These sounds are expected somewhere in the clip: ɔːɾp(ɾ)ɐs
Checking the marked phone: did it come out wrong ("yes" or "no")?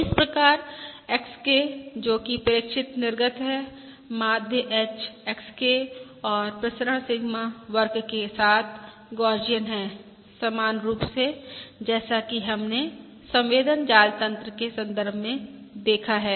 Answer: no